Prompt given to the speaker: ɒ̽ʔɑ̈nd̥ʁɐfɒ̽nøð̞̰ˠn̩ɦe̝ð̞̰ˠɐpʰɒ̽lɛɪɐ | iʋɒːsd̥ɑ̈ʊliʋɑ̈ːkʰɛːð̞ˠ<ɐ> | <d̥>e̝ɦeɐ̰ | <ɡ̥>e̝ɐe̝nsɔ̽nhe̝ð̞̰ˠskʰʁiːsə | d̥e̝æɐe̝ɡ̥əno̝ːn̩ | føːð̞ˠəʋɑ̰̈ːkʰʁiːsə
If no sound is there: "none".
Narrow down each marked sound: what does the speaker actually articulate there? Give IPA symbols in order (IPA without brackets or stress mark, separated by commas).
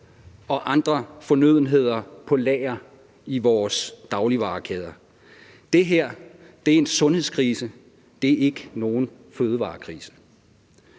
ɐ, d̥, d̥